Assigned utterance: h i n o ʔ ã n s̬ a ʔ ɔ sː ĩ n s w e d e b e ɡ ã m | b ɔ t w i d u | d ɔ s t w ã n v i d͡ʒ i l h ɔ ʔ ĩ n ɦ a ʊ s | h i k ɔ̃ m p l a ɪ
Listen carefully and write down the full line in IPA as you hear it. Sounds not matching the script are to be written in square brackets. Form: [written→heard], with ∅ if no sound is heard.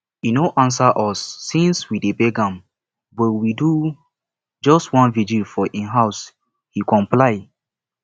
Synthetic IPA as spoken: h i n o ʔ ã n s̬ a ʔ ɔ sː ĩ n s w [e→i] d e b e ɡ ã m | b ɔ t w i d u | [d→d͡ʒ] ɔ s t w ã n v i d͡ʒ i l [h→f] ɔ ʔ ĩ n ɦ a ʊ s | h i k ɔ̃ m p l a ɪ